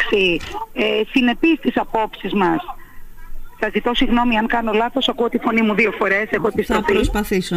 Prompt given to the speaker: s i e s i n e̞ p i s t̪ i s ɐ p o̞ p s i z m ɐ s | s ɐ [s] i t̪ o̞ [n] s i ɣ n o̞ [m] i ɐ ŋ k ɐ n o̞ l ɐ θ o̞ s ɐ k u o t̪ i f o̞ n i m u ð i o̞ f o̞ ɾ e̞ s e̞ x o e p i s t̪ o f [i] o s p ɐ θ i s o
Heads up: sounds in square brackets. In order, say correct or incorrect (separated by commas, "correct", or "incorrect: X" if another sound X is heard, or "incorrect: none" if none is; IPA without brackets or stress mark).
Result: incorrect: z, incorrect: none, correct, correct